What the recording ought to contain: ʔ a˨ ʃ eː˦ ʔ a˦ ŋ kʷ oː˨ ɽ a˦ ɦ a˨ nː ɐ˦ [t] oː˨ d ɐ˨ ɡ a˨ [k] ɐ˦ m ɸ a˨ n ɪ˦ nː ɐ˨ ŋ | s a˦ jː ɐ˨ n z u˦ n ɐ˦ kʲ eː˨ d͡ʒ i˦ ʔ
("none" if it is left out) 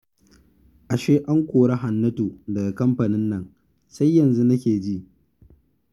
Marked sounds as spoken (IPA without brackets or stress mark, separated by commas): t, k